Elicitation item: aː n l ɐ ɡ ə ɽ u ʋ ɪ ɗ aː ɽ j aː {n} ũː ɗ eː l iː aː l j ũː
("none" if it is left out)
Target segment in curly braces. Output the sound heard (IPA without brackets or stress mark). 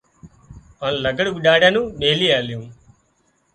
n